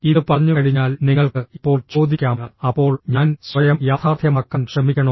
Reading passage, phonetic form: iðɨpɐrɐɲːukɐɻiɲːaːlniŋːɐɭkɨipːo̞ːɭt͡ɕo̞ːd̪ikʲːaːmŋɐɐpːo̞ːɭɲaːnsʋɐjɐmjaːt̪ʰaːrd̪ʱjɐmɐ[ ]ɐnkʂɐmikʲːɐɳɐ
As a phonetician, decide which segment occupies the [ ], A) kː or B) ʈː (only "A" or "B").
A